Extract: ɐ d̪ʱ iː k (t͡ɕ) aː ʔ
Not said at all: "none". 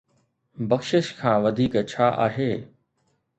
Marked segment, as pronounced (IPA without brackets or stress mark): t͡ɕʰ